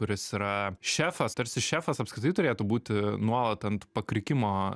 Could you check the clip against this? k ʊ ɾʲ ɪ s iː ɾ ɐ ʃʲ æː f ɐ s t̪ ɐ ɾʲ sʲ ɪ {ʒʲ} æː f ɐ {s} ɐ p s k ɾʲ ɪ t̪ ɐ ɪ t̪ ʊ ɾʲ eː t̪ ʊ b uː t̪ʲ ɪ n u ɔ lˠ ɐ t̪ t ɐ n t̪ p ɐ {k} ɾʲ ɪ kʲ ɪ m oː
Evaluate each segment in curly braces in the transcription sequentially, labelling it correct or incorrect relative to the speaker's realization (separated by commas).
incorrect, correct, correct